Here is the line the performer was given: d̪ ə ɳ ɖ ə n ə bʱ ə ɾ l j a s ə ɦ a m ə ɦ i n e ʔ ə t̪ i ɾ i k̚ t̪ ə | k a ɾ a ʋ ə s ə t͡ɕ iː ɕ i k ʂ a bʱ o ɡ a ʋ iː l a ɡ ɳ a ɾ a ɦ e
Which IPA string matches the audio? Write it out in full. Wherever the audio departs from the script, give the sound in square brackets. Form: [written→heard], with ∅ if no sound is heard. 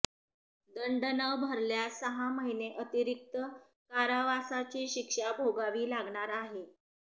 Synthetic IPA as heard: d̪ ə ɳ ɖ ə n ə bʱ ə ɾ l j a s ə ɦ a m ə ɦ i n e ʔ ə t̪ i ɾ i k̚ t̪ ə | k a ɾ a ʋ [ə→a] s [ə→a] t͡ɕ iː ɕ i k ʂ a bʱ o ɡ a ʋ iː l a ɡ ɳ a ɾ a ɦ e